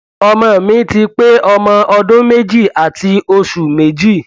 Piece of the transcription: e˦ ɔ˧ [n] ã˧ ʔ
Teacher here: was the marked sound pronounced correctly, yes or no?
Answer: no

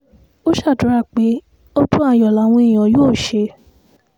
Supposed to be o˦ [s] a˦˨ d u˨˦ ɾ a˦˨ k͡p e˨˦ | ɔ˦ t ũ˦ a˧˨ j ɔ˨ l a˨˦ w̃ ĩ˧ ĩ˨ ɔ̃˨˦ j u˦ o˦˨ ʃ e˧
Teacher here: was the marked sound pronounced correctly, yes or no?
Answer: no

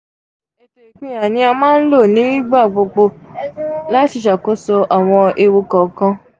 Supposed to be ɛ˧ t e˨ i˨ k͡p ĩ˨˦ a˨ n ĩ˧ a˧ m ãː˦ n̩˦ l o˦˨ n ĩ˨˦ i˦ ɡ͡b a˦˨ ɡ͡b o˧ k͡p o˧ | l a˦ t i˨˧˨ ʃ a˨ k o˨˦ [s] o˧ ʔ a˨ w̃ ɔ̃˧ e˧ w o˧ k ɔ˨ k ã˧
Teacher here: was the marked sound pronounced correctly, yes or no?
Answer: yes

